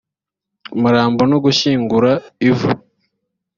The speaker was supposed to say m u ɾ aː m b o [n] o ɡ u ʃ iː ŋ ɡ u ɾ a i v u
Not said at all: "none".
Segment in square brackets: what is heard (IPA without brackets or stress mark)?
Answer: n